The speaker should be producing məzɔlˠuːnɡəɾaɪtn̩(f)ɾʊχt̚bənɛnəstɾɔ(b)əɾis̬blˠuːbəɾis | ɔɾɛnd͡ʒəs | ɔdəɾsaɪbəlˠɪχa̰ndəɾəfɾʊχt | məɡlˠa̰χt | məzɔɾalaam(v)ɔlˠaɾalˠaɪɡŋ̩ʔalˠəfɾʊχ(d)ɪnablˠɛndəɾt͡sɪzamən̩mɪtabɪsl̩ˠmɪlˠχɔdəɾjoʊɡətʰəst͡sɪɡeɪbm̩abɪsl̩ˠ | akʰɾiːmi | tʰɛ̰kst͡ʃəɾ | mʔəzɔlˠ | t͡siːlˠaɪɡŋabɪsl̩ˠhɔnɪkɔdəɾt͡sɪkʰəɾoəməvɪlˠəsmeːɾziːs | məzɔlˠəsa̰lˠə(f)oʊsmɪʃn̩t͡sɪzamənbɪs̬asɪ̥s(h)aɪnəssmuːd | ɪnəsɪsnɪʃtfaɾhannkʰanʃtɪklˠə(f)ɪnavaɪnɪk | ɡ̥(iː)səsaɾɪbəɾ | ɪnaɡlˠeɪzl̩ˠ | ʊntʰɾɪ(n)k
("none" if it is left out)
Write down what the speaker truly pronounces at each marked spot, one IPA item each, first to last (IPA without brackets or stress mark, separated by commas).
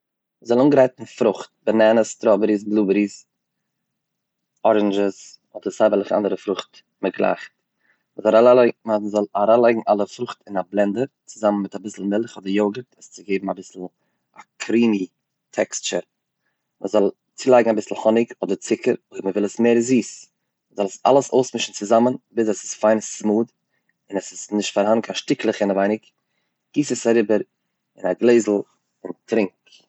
f, b, z, t, s, f, χ, iː, ŋ